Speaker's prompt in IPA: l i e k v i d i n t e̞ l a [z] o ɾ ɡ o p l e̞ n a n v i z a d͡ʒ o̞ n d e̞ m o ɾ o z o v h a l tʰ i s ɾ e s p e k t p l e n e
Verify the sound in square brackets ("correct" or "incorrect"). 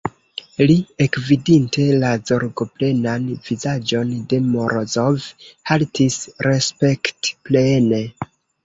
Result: correct